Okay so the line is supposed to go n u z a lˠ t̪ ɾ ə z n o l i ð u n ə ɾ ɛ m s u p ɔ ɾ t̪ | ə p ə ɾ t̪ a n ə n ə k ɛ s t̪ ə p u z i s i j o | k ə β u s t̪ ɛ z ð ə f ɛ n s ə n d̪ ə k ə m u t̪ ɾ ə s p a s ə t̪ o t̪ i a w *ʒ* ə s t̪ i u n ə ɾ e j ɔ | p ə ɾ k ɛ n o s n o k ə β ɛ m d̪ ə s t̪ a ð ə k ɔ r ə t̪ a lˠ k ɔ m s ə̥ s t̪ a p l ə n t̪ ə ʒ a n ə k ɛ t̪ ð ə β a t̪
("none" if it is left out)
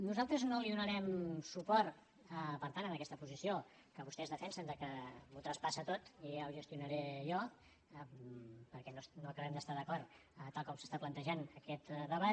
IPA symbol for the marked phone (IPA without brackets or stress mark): ʒ